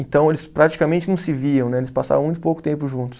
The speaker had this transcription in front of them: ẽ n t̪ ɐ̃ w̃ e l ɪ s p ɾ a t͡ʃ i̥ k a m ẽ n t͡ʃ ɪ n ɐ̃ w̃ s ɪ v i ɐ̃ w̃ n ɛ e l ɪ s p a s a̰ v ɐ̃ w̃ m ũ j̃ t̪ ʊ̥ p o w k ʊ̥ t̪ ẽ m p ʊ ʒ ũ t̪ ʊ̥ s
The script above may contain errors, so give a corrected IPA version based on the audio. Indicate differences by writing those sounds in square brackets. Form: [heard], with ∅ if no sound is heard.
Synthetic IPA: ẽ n t̪ ɐ̃ w̃ e l ɪ s p ɾ a t͡ʃ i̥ k a m ẽ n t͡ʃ ɪ n ɐ̃ w̃ s ɪ v i ɐ̃ w̃ n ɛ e l ɪ s p a s a̰ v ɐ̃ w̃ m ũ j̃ t̪ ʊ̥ p o w k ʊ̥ t̪ ẽ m p ʊ ʒ ũ t̪ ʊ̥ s